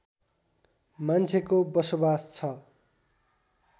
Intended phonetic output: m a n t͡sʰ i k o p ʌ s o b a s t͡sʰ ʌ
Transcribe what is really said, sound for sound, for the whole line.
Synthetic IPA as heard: m a n t͡sʰ e k o b ʌ s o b a s t͡sʰ ʌ